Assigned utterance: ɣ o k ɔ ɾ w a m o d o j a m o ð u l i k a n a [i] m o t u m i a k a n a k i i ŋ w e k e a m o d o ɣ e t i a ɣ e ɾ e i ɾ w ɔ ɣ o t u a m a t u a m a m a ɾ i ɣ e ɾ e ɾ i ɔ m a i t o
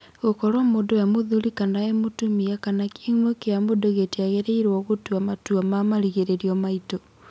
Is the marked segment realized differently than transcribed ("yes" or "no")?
yes